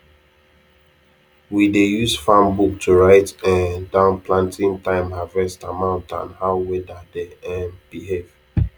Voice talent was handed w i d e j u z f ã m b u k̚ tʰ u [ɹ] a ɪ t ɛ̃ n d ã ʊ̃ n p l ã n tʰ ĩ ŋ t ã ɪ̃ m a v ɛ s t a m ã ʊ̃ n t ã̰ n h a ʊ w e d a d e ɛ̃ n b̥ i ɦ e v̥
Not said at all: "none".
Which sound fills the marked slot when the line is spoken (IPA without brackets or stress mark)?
ɹ